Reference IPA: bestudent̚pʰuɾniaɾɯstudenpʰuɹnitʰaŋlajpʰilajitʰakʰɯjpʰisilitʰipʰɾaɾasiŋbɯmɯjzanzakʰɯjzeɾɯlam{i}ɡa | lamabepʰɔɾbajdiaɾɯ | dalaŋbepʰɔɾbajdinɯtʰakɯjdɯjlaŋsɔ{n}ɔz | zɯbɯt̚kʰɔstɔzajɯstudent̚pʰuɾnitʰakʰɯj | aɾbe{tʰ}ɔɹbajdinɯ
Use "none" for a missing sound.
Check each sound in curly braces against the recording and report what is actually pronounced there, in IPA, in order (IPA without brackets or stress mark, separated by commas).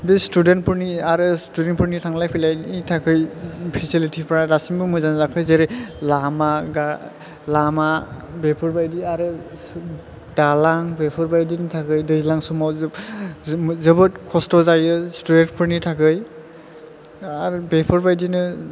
a, m, pʰ